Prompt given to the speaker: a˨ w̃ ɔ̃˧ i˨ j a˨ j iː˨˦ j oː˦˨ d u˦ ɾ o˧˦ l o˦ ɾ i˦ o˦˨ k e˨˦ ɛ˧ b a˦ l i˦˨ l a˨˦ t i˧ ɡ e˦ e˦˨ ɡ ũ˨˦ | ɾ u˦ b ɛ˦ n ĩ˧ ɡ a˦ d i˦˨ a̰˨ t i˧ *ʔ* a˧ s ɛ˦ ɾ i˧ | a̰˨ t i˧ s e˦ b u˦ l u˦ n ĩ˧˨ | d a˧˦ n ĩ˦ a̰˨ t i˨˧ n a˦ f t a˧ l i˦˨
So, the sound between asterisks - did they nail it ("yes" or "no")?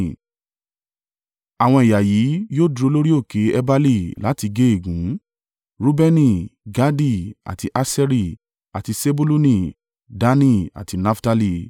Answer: yes